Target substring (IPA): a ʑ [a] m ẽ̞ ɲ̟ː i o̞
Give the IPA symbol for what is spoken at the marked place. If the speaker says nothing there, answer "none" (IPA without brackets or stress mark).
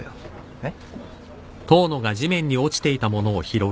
i